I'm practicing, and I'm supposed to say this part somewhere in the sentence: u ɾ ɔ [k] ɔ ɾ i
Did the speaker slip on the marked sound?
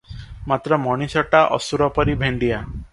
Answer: yes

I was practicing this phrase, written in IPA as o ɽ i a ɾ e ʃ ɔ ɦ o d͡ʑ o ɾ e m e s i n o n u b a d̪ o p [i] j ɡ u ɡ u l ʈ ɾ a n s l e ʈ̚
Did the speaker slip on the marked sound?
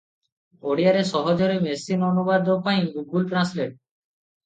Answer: yes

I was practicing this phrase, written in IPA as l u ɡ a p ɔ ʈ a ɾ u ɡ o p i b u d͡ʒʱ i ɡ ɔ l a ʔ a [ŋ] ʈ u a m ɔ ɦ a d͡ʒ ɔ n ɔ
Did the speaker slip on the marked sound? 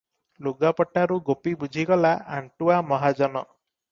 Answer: yes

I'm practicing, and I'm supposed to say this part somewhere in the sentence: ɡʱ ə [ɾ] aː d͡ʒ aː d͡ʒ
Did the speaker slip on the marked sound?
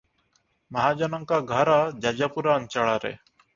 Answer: no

